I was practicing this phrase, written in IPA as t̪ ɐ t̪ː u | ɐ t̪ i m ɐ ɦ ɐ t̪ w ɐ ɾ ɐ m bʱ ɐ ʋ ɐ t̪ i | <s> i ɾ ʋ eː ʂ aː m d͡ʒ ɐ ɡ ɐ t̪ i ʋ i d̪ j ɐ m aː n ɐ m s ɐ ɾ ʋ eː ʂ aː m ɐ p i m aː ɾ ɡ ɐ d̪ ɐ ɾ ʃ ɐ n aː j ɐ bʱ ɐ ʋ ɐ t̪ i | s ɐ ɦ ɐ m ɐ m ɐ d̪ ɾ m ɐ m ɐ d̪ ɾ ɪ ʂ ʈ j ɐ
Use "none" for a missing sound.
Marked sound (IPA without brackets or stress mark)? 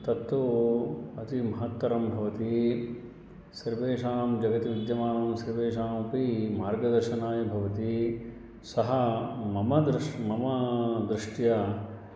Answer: s